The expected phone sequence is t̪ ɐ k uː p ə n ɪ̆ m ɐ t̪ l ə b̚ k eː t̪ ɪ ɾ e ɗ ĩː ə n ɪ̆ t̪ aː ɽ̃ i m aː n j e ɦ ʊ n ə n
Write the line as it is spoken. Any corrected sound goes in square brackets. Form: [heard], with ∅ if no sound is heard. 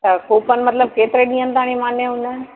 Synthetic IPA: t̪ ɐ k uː p ə n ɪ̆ m ɐ t̪ l ə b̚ k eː t̪ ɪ ɾ e ɗ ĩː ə n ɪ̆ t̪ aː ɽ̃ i m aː n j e ɦ ʊ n ə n